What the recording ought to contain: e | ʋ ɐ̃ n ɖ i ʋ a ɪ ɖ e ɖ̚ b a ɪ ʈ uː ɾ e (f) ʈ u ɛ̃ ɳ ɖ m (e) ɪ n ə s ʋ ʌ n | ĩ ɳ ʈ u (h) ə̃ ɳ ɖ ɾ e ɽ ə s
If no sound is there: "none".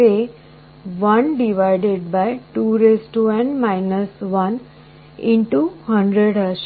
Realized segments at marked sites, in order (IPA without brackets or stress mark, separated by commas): s, a, h